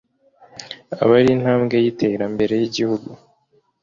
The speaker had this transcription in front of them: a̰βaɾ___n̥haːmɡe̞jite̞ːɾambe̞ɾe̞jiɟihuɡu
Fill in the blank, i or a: i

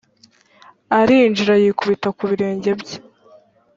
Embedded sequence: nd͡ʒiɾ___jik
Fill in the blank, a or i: a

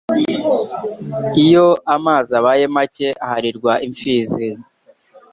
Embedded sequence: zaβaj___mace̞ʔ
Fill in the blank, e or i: e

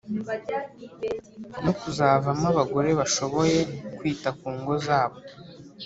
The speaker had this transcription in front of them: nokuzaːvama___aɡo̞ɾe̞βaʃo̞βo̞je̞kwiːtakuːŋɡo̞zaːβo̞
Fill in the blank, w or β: β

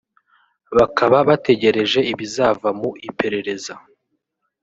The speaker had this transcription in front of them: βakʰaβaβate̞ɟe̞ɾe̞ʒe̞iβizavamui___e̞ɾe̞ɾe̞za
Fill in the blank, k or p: p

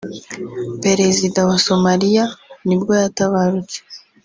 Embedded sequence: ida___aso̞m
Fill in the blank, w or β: w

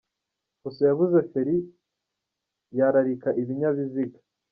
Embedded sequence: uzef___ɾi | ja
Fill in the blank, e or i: e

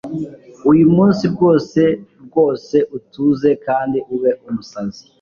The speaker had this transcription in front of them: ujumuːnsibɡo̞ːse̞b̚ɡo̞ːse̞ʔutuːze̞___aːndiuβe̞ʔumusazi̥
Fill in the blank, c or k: k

